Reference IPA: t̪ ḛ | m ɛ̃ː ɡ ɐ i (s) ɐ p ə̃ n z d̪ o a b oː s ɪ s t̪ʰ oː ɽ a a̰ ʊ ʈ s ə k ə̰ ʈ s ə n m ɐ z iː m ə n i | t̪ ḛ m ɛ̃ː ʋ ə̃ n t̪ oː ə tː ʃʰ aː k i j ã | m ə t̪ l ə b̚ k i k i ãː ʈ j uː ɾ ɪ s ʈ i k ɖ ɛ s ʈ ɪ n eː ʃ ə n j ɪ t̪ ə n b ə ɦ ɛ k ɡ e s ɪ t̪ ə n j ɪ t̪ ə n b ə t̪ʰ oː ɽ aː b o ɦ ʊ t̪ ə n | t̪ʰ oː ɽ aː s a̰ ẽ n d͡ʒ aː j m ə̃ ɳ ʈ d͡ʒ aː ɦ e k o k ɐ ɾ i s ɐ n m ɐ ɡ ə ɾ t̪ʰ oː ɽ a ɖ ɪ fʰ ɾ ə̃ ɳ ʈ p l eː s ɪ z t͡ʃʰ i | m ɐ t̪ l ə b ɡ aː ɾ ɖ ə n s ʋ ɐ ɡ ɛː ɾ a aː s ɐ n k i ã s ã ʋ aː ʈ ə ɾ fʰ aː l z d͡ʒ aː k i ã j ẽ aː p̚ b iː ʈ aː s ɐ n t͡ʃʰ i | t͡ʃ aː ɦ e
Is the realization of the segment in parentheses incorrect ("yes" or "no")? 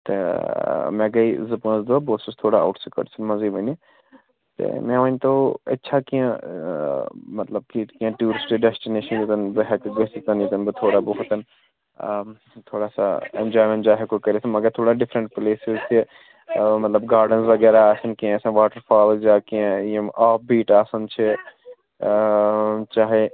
yes